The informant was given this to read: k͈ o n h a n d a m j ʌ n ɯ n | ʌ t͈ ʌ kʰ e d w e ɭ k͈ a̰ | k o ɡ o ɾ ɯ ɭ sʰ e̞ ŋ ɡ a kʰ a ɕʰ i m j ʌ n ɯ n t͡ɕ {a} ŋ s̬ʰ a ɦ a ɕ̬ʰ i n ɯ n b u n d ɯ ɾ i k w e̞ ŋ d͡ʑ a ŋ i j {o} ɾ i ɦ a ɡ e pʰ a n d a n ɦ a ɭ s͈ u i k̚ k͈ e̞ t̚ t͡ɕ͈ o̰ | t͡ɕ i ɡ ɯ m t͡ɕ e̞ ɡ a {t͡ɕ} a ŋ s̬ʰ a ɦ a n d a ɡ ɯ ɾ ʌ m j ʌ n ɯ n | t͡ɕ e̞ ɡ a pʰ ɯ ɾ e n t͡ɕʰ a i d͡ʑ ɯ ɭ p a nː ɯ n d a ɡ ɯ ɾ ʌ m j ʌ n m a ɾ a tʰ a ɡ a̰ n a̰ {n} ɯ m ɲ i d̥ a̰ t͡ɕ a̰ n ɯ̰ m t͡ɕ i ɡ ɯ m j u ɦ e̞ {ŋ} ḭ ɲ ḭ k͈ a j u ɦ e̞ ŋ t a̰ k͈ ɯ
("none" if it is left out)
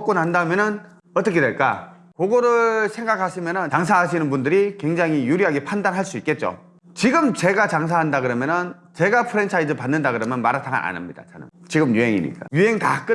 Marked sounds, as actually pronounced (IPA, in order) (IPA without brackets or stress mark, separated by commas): a, u, t͡ɕ, n, ŋ